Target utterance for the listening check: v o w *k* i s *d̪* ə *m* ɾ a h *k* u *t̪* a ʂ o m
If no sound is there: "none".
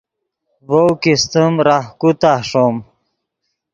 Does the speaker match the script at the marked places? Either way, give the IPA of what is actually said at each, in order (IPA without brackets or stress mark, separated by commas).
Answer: k, t̪, m, k, t̪